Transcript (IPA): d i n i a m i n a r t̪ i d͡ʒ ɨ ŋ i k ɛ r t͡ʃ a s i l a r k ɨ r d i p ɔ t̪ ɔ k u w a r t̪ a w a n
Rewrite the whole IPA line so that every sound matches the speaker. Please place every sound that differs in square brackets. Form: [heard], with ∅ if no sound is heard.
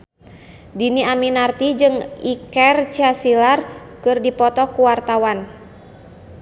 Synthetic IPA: d i n i a m i n a r t̪ i d͡ʒ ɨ ŋ i k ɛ r t͡ʃ a s i l a r k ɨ r d i p ɔ t̪ ɔ k u w a r t̪ a w a n